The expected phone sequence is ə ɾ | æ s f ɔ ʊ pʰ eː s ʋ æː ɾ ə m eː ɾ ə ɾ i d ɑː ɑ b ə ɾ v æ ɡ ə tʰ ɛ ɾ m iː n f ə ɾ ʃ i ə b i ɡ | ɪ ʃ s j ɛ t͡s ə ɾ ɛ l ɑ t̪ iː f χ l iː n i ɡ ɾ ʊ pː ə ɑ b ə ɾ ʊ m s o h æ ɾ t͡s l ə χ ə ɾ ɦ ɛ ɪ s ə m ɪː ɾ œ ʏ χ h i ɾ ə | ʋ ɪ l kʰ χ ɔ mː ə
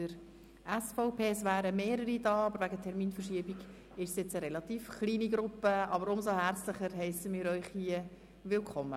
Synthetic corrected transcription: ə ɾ | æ s f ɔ ʊ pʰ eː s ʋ æː ɾ ə m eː ɾ ə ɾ i d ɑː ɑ b ə ɾ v æ ɡ ə tʰ ɛ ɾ m iː n f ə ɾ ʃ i ə b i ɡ | ɪ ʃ s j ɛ t͡s ə ɾ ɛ l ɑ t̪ iː f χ l iː n i ɡ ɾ ʊ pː ə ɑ b ə ɾ ʊ m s o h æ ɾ t͡s l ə χ ə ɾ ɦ ɛ ɪ s ə m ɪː ɾ œ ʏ χ h i ə | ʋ ɪ l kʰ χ ɔ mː ə